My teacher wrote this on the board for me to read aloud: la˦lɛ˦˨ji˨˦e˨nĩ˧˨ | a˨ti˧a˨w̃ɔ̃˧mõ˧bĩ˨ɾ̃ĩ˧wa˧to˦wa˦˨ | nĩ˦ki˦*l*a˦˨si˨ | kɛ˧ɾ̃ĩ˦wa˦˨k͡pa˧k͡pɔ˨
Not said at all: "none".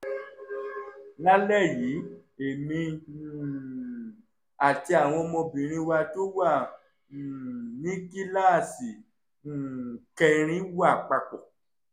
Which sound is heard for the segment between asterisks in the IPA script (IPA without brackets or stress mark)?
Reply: l